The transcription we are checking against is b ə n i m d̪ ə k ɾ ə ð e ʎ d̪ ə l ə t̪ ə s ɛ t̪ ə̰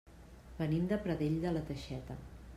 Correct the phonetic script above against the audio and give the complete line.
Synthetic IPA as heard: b ə n i m d̪ ə p ɾ ə ð e ʎ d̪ ə l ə t̪ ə ʃ ɛ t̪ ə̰